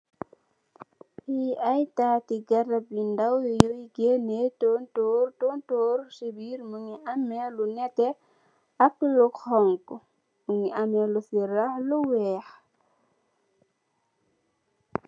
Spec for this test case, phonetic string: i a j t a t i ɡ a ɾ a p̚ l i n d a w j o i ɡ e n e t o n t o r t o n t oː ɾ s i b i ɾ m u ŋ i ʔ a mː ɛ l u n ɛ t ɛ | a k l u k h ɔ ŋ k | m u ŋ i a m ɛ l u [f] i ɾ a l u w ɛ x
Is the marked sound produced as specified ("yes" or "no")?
yes